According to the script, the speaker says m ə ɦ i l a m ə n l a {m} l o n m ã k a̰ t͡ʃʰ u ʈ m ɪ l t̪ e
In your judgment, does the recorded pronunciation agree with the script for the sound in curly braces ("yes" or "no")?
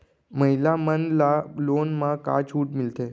no